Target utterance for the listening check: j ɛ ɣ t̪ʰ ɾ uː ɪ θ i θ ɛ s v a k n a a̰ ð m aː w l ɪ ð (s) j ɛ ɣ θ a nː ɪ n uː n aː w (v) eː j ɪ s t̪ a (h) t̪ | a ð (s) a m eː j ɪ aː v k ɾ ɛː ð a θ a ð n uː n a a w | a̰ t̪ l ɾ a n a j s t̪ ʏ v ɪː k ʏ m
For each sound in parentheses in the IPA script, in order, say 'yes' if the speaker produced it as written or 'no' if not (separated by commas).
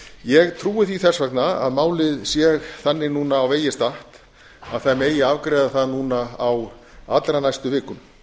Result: yes, yes, yes, no